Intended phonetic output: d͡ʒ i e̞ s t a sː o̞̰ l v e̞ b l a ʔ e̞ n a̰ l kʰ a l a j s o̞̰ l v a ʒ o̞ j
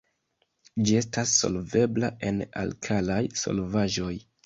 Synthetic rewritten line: d͡ʒ i e̞ s t a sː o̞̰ l v e̞ b l a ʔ e̞ n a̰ l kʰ a l a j s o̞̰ l v a ʒ o̞ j